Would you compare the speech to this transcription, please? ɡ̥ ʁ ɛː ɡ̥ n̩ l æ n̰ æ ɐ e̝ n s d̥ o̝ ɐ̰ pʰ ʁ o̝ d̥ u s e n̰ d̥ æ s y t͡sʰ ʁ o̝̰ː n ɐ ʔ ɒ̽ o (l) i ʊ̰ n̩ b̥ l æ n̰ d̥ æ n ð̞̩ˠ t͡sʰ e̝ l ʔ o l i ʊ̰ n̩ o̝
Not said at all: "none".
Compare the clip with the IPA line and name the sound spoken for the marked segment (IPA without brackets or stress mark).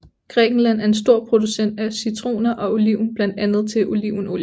l